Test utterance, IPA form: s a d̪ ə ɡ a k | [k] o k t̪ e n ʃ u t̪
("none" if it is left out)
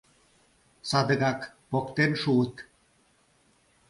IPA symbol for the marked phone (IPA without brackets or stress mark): p